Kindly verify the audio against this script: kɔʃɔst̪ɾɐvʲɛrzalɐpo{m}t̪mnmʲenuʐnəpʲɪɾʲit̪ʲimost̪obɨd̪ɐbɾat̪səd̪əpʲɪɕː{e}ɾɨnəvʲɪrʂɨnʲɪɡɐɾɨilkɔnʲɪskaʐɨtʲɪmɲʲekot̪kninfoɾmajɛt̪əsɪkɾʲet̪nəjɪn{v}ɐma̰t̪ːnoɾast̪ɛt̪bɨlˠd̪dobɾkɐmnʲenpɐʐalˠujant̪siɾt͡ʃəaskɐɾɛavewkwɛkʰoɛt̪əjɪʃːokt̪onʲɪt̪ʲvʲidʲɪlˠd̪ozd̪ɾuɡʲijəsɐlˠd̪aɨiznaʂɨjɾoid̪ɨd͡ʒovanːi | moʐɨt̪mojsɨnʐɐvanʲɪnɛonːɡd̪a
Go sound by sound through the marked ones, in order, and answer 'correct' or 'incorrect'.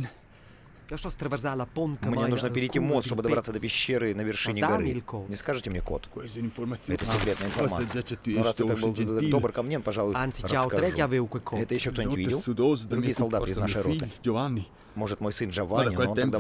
incorrect: n, correct, incorrect: f

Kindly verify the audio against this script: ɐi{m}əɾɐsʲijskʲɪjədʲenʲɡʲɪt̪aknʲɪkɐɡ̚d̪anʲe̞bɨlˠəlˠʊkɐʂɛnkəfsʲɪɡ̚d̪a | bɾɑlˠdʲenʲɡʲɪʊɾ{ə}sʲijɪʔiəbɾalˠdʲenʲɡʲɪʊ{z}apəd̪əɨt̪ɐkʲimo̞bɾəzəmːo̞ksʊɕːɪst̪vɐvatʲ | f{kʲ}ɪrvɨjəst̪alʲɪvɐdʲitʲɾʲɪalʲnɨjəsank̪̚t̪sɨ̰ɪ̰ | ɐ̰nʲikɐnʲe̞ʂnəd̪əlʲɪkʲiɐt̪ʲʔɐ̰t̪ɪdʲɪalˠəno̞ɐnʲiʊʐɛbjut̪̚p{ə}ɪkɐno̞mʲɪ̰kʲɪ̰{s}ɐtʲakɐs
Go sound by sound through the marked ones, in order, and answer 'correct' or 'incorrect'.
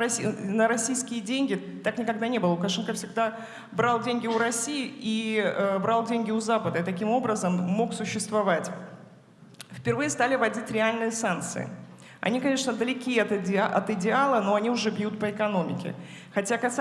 incorrect: n, incorrect: ɐ, correct, incorrect: pʲ, correct, incorrect: x

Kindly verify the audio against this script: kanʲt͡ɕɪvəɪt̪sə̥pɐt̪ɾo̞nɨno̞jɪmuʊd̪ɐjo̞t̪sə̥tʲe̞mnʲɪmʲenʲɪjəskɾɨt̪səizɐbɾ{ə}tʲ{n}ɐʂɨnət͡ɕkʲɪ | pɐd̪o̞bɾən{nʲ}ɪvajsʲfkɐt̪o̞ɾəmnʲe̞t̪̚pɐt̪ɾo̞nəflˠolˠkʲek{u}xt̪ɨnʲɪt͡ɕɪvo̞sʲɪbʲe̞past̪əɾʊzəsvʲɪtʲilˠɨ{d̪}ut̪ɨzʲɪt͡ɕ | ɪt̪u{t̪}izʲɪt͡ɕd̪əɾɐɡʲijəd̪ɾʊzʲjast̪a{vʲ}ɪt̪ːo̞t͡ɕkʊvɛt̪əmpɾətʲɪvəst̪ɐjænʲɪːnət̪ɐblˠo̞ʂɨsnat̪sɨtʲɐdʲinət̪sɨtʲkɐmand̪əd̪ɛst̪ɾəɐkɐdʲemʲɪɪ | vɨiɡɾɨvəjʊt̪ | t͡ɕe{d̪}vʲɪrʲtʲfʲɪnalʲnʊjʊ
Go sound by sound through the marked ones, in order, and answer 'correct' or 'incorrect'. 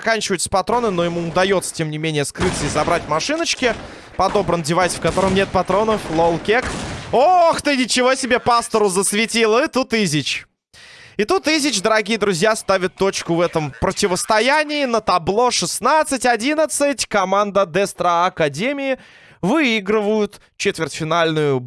incorrect: a, incorrect: m, incorrect: dʲ, incorrect: o, incorrect: t̪, correct, correct, incorrect: t̪

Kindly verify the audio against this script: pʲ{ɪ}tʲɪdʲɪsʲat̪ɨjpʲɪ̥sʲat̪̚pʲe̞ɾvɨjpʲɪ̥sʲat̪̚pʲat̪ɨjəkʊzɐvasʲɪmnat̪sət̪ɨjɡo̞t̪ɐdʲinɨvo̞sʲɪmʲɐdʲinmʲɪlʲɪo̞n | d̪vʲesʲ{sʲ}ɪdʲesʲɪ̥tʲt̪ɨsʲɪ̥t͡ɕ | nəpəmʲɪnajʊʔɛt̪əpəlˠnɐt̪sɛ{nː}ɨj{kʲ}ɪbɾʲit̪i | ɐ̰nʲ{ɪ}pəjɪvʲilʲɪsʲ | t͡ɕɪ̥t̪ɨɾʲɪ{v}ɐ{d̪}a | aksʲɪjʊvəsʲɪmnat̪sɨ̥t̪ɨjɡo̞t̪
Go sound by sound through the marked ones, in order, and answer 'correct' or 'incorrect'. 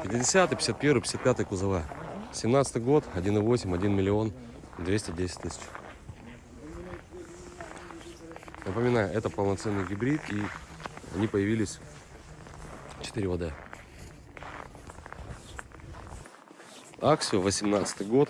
correct, incorrect: tʲ, correct, incorrect: ɡʲ, incorrect: i, correct, correct

